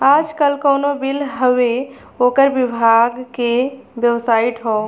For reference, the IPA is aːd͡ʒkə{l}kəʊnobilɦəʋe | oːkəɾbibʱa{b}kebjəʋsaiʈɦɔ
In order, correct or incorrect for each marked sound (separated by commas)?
correct, incorrect